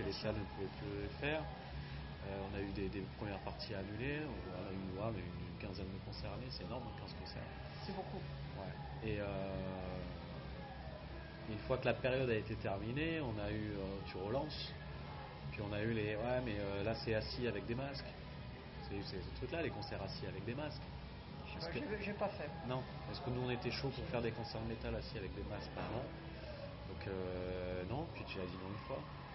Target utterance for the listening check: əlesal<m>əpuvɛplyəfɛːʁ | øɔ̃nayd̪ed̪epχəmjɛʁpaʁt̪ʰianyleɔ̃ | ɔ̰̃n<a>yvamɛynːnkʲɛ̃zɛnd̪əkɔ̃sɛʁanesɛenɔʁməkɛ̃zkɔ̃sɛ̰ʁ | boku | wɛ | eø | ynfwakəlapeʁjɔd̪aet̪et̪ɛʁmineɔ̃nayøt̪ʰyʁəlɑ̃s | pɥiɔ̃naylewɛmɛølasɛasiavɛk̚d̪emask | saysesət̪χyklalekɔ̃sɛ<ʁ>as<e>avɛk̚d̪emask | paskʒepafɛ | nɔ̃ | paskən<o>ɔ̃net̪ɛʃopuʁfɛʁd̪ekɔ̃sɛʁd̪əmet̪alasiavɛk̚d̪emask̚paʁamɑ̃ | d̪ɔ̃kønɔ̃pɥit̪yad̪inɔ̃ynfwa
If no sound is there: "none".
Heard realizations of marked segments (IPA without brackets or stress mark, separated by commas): n, a, ʁ, i, u